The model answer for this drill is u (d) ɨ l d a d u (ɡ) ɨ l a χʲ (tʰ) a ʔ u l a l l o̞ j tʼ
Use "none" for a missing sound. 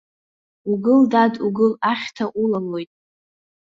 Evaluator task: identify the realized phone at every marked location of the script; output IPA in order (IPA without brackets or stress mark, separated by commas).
ɡ, ɡ, tʰ